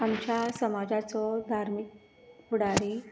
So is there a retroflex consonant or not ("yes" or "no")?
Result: yes